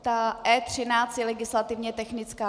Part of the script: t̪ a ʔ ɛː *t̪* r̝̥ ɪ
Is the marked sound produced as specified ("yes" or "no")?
yes